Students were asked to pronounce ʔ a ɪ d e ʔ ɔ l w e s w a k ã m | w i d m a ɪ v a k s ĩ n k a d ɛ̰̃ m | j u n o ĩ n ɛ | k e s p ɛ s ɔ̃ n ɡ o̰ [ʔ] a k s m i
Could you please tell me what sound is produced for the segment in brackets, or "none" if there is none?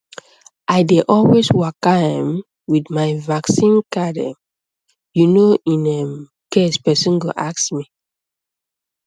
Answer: ʔ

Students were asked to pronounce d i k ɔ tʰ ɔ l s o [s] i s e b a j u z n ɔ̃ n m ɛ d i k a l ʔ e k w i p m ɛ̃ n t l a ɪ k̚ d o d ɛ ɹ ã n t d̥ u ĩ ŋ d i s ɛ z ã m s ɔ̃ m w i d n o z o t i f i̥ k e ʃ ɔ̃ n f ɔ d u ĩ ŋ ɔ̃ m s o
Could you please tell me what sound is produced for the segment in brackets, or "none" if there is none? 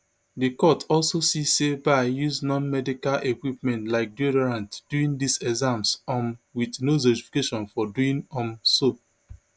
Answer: s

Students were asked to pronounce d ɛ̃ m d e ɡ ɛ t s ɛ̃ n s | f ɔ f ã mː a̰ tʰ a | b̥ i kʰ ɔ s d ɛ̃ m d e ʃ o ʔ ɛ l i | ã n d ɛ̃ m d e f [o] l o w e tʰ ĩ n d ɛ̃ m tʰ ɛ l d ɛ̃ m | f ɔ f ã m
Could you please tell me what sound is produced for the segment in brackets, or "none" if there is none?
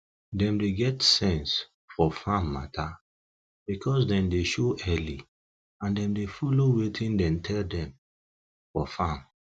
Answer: ɔ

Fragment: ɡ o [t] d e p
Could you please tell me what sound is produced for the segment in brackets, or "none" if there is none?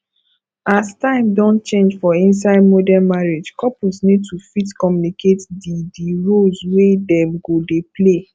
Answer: none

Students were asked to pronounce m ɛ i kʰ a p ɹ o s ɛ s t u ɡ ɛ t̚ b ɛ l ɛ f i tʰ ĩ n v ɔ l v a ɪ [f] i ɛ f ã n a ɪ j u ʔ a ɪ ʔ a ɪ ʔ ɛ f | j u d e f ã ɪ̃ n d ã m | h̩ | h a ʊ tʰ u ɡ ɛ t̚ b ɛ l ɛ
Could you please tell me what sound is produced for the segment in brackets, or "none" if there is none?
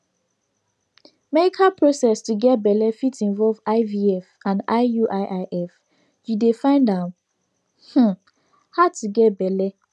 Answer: v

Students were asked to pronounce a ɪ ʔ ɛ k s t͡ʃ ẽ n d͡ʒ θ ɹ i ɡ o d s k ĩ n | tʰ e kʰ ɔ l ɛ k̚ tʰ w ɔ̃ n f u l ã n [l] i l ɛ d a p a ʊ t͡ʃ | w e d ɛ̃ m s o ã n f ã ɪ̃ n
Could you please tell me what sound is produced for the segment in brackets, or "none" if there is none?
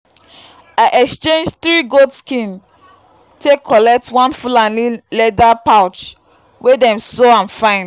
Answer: l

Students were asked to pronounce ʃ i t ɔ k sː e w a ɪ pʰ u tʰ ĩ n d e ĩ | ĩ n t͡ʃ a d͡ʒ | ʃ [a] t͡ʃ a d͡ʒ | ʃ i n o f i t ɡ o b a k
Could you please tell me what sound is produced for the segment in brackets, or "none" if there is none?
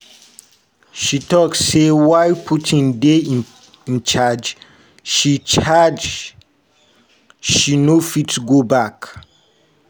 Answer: i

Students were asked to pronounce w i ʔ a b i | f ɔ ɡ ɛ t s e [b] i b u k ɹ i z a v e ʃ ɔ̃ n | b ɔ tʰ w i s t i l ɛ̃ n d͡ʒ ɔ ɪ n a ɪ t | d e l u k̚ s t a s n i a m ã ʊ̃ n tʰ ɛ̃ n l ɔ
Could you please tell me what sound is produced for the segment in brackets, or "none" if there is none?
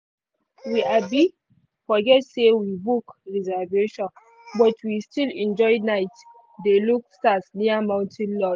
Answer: w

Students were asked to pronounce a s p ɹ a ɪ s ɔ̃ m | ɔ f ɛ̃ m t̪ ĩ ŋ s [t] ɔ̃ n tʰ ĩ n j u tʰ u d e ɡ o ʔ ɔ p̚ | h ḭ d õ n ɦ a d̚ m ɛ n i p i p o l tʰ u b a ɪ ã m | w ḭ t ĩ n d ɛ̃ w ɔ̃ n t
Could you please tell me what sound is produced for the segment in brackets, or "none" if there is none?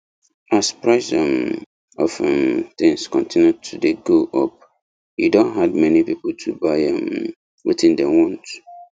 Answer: k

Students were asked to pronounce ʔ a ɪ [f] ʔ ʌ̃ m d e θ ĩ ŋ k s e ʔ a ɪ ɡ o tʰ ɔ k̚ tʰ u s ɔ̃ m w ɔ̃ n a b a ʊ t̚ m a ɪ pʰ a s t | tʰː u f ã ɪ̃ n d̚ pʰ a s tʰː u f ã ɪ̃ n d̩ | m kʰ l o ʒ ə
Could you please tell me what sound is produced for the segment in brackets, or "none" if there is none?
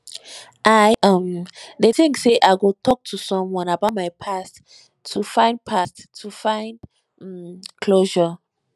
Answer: none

